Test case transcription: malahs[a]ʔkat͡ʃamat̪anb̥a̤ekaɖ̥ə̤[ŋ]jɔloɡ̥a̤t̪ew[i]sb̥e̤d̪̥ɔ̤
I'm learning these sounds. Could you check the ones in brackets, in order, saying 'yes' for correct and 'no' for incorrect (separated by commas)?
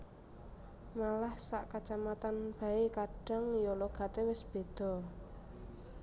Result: yes, yes, no